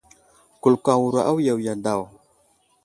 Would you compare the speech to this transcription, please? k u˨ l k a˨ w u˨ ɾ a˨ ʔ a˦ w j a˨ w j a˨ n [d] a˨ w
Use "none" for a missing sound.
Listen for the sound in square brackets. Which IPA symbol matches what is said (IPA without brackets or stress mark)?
d